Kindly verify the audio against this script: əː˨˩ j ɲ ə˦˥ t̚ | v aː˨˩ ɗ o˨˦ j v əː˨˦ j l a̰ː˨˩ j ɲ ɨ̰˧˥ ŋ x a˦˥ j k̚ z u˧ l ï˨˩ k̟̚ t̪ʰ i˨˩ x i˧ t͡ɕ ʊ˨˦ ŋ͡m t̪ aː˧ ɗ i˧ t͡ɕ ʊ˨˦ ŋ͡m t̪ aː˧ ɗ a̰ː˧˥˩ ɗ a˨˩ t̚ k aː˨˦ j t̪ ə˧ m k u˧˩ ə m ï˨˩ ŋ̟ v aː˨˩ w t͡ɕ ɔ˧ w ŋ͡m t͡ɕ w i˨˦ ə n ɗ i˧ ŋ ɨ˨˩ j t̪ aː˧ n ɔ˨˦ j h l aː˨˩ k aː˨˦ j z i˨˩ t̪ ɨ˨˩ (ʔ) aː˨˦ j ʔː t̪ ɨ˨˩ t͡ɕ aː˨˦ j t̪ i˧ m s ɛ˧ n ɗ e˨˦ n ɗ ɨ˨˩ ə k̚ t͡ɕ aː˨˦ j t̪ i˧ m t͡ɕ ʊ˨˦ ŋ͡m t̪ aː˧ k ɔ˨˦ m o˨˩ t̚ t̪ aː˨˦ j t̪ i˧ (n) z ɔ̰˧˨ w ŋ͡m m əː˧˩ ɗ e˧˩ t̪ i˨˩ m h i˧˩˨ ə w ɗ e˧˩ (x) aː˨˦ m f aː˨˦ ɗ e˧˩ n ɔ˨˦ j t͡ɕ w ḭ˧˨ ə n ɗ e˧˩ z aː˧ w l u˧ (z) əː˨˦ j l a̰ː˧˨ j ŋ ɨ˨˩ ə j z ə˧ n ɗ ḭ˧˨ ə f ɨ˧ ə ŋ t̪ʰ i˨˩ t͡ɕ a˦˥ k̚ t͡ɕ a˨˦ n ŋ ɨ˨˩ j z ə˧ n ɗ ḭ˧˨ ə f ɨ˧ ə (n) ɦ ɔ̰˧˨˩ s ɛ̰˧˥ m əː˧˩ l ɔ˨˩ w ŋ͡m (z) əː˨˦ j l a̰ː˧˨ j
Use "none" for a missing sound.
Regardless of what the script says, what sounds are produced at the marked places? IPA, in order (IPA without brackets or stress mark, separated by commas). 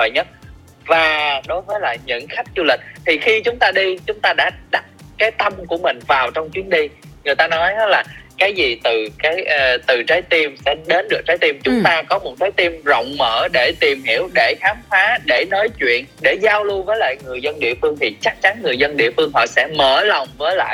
k, m, x, v, ŋ, v